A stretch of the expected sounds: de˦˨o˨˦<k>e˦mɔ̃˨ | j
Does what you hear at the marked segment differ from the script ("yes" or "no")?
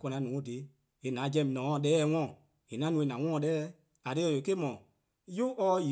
no